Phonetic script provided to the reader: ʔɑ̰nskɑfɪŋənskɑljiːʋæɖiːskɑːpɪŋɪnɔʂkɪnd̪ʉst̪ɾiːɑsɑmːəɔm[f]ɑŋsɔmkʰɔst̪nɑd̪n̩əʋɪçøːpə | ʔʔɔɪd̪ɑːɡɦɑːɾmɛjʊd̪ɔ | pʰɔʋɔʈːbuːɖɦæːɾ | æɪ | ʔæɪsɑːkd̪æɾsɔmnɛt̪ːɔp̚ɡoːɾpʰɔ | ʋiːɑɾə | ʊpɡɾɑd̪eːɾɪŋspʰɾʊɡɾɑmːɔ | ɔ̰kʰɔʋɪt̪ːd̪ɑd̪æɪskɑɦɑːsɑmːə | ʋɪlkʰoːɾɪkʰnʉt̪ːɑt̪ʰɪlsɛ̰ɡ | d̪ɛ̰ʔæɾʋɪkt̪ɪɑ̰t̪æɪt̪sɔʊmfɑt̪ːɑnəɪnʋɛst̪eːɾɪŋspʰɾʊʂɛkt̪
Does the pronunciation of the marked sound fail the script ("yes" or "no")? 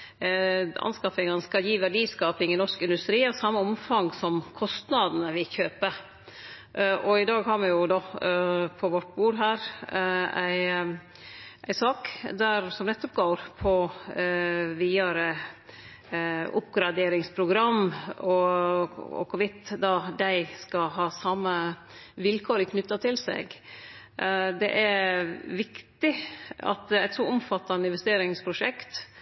no